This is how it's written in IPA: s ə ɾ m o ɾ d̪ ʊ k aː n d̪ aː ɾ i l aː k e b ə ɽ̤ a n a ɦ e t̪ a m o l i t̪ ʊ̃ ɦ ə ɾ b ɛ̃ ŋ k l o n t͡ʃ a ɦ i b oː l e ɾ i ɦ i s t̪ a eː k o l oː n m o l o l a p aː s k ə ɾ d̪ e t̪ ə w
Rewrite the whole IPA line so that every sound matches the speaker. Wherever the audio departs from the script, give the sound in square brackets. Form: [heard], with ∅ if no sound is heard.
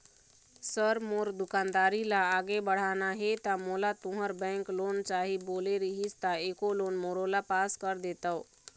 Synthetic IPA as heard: s ə ɾ m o ɾ d̪ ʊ k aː n d̪ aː ɾ i l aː [ɡ] e b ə ɽ̤ a n a ɦ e t̪ a m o l [a] t̪ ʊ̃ ɦ ə ɾ b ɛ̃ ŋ k l o n t͡ʃ a ɦ i b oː l e ɾ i ɦ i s t̪ a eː k o l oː n m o [ɾ] o l a p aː s k ə ɾ d̪ e t̪ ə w